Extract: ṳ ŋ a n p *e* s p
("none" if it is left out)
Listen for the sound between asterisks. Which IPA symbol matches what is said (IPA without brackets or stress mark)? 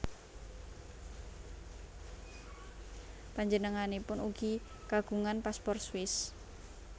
a